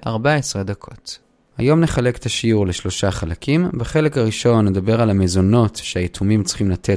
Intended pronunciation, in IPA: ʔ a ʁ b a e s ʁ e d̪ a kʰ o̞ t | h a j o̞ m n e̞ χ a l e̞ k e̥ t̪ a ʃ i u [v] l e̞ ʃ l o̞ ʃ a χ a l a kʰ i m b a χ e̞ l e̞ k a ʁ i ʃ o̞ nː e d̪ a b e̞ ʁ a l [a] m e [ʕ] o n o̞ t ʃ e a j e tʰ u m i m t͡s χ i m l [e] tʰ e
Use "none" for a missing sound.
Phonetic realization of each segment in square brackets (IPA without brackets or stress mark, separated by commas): ʁ, a, z, a